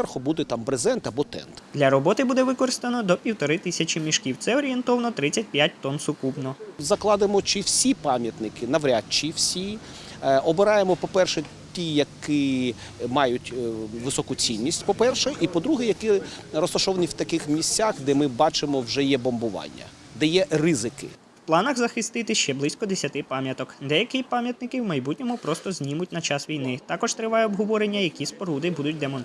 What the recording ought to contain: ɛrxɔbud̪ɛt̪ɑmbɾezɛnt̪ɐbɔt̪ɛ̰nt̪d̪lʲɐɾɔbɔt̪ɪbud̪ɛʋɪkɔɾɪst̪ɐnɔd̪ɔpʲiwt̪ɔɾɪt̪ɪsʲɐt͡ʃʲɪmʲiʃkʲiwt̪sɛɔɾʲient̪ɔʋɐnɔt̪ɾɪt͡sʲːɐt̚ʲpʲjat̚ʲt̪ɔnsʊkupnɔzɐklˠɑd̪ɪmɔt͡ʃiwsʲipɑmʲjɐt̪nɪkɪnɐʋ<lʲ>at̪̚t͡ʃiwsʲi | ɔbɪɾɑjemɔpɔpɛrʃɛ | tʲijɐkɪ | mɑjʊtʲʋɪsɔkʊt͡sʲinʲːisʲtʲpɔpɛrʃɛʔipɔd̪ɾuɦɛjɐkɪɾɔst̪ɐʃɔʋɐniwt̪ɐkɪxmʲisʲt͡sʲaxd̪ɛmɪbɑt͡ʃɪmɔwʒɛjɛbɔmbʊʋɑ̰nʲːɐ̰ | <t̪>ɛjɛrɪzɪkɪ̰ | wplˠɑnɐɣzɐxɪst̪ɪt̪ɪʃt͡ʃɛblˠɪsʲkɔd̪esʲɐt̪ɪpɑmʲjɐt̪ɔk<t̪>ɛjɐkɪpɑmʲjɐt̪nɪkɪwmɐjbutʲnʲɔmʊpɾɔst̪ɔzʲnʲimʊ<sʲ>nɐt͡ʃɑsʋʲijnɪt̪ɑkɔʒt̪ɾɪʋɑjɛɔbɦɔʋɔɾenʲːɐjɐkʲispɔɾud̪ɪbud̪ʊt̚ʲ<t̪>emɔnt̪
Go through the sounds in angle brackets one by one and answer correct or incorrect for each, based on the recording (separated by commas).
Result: incorrect, incorrect, incorrect, incorrect, incorrect